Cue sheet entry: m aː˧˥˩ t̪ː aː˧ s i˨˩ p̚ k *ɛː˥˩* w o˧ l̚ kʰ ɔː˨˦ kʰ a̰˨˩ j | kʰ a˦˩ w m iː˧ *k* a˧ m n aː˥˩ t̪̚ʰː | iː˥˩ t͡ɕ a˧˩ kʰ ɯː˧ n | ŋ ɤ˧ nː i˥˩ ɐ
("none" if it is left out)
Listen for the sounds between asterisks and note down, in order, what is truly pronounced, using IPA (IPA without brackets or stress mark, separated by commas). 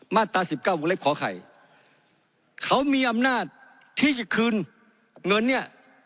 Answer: aː˥˩, ʔ